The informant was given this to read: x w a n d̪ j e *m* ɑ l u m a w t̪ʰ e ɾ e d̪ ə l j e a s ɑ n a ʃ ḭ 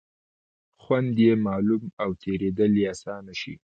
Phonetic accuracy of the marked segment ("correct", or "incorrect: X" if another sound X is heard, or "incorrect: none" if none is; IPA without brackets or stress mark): correct